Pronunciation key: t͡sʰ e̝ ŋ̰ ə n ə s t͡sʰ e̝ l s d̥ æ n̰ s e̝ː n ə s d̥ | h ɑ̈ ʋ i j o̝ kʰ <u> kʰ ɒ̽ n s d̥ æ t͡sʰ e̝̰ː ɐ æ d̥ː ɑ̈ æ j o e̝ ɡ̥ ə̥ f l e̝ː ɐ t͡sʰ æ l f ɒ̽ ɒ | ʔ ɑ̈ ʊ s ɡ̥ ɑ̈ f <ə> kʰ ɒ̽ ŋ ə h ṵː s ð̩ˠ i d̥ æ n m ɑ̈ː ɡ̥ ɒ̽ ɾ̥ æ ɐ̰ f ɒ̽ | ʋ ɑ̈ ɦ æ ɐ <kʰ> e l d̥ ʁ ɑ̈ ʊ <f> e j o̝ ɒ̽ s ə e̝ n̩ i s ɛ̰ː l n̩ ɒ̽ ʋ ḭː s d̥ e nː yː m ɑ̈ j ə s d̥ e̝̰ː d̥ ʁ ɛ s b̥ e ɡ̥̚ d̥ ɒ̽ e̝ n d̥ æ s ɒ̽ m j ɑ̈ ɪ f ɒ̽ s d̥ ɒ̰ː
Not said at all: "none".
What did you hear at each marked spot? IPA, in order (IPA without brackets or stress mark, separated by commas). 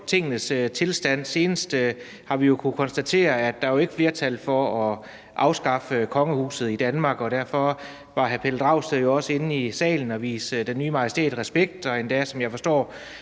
u, ə, pʰ, s